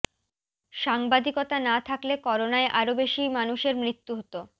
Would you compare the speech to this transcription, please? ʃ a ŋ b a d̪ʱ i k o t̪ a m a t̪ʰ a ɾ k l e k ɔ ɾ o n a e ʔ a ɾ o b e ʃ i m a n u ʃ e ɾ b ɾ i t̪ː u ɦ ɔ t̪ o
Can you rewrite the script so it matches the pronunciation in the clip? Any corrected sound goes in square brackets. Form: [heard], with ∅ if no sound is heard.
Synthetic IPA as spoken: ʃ a ŋ b a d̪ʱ i k o t̪ a [n] a t̪ʰ a [∅] k l e k ɔ ɾ o n a e ʔ a ɾ o b e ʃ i m a n u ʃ e ɾ [m] ɾ i t̪ː u ɦ [o] t̪ o